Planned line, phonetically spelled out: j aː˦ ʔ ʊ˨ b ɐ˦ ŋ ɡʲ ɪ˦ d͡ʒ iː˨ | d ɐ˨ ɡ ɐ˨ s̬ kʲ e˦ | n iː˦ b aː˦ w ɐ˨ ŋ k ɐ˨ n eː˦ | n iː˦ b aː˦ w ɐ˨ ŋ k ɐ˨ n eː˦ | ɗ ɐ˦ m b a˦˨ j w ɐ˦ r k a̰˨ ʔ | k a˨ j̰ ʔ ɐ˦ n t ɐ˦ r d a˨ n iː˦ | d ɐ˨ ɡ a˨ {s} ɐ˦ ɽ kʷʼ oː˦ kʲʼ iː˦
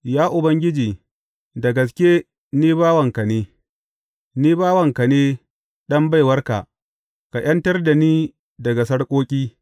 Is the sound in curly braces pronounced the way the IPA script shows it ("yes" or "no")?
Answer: yes